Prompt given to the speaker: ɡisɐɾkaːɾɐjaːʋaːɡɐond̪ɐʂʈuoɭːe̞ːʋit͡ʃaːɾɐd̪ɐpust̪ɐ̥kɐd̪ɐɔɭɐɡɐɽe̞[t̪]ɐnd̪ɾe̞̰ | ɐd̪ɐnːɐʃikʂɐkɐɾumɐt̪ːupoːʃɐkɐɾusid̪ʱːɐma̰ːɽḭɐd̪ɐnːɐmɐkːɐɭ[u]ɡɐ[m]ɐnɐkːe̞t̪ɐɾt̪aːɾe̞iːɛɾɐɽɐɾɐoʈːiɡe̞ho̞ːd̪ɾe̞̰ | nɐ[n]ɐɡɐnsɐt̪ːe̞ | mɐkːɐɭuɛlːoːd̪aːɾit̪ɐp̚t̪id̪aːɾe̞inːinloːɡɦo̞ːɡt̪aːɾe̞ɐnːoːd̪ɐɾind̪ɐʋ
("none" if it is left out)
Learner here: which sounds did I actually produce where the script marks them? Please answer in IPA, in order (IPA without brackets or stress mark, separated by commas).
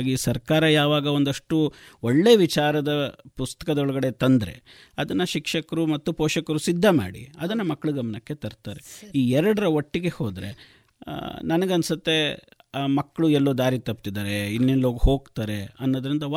t̪, u, m, n